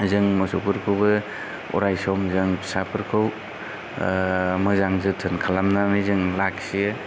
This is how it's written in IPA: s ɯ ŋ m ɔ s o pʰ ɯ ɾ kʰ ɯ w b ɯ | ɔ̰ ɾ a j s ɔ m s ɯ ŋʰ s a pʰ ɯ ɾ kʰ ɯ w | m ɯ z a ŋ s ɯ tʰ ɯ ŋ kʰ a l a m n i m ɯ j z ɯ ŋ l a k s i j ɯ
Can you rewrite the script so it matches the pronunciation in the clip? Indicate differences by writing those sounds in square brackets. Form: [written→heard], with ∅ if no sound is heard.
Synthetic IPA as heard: [s→z] ɯ ŋ m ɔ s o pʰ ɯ ɾ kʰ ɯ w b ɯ | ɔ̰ ɾ a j s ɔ m [s→z] ɯ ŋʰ s a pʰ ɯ ɾ kʰ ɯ w | m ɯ z a ŋ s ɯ tʰ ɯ [ŋ→n] kʰ a l a m n [i→a] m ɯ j z ɯ ŋ l a k s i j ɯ